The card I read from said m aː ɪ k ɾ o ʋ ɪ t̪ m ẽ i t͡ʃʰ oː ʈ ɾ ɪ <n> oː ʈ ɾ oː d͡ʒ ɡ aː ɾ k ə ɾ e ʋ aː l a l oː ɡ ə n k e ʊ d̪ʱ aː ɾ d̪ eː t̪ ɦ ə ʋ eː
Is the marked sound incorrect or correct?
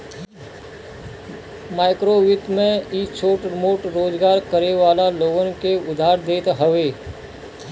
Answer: incorrect: m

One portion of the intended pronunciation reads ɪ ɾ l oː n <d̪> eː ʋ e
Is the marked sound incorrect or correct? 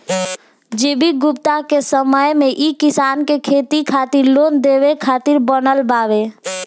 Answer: correct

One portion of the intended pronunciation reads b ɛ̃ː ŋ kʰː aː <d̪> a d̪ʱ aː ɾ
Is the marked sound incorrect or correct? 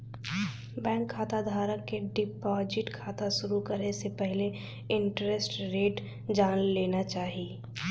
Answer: incorrect: t̪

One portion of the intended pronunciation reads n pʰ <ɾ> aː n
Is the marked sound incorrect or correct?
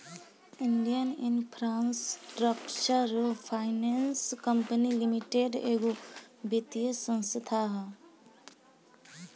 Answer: correct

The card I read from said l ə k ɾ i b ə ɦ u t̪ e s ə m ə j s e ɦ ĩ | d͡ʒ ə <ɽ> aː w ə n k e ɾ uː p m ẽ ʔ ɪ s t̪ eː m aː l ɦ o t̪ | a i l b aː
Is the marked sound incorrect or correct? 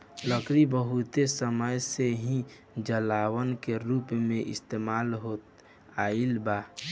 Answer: incorrect: l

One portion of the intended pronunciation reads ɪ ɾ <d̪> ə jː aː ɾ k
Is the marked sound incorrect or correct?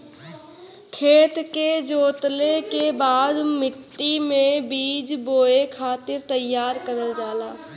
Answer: incorrect: t̪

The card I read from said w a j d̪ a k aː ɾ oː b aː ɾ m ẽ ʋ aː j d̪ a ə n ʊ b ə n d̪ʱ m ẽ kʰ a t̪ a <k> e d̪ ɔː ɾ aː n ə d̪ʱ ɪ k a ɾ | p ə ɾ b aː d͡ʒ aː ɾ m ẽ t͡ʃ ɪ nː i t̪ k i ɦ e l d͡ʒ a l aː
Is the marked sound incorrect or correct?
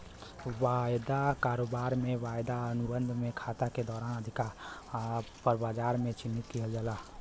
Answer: correct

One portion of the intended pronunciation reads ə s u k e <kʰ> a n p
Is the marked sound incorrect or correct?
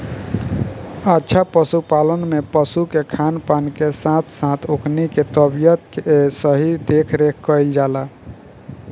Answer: correct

